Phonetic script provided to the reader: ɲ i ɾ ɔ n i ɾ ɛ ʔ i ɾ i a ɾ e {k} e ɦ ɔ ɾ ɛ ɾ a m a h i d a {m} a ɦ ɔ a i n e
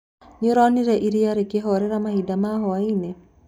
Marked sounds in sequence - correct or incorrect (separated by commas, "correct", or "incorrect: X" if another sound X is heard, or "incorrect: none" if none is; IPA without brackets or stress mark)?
correct, correct